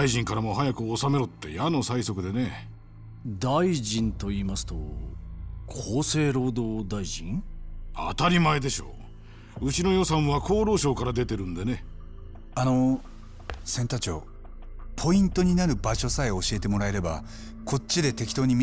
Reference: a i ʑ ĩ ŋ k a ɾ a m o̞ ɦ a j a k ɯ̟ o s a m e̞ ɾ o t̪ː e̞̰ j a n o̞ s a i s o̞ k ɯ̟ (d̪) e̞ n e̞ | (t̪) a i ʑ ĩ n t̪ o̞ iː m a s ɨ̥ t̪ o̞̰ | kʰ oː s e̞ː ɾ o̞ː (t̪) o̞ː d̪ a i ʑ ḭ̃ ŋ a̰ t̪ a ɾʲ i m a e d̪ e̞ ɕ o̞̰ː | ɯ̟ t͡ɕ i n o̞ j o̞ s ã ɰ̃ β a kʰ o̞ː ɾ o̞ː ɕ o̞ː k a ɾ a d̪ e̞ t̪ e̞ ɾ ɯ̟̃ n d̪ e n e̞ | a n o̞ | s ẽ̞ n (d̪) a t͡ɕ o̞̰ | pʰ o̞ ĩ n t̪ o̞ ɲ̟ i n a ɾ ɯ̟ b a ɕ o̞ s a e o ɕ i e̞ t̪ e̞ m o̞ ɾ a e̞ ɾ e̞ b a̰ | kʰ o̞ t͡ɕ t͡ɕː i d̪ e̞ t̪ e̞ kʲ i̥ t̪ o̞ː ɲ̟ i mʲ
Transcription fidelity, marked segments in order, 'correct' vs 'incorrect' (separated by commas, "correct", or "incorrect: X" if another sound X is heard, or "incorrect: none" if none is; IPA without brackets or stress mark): correct, incorrect: d̪, incorrect: d̪, incorrect: t̪